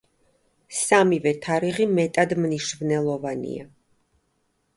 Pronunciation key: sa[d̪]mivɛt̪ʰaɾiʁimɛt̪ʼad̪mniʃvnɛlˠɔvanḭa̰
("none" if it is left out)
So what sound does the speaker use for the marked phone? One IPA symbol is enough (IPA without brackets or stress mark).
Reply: none